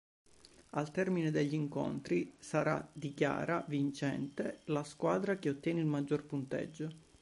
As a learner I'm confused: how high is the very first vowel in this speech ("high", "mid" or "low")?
low